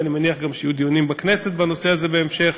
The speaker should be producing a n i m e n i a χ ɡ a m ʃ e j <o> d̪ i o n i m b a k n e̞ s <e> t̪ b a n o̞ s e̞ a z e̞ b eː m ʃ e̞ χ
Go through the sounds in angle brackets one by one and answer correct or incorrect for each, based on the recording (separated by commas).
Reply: incorrect, correct